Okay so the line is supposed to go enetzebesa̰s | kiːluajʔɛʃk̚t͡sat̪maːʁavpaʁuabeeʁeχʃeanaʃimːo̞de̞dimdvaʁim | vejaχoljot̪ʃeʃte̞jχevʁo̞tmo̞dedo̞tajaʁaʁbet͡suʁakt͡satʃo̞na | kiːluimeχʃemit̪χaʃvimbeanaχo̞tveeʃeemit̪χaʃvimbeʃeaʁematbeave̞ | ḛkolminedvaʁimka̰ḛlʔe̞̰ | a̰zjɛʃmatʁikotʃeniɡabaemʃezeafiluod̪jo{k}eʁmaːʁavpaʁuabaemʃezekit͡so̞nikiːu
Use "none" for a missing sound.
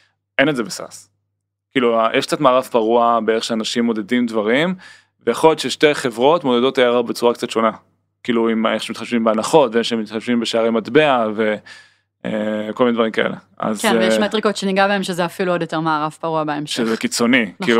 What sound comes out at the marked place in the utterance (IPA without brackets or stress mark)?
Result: t